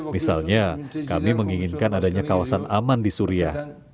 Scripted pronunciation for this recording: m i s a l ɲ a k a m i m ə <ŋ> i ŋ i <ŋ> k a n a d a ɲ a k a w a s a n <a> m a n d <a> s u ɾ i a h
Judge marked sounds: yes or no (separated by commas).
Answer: yes, no, yes, no